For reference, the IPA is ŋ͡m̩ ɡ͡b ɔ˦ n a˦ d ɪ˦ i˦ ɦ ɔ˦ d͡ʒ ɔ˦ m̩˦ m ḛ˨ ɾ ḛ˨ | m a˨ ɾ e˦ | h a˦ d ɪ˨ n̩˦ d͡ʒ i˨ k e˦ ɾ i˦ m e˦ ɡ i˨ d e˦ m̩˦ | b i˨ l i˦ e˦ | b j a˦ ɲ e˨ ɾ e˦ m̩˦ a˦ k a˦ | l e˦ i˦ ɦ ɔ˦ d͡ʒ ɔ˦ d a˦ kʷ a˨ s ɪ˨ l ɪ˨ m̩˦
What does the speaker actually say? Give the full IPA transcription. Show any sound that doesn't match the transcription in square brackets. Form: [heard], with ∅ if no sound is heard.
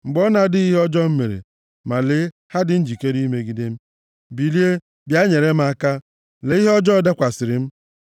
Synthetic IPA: ŋ͡m̩ ɡ͡b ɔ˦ n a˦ d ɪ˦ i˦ ɦ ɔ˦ d͡ʒ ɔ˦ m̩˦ m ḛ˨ ɾ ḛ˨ | m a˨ [l] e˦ | h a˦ d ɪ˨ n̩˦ d͡ʒ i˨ k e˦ ɾ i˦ m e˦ ɡ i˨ d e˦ m̩˦ | b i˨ l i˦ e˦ | b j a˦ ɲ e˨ ɾ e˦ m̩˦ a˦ k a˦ | l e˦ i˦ ɦ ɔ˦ d͡ʒ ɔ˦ d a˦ kʷ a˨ s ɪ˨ [ɾ] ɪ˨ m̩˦